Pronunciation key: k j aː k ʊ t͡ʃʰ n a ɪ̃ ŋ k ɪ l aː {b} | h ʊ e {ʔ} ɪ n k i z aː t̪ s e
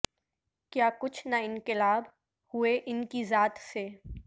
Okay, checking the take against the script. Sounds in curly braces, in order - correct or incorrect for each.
correct, correct

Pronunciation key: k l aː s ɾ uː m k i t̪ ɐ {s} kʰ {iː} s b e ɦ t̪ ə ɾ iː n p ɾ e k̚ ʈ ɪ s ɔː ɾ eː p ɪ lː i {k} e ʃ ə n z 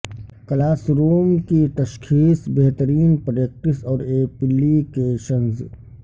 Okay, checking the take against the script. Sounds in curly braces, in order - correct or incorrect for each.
incorrect: ʃ, correct, correct

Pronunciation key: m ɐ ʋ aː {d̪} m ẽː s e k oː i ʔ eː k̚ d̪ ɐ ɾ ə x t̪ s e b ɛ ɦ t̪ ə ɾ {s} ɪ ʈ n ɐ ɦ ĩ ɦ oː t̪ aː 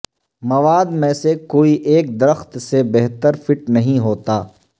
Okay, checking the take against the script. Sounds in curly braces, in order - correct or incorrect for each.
correct, incorrect: f

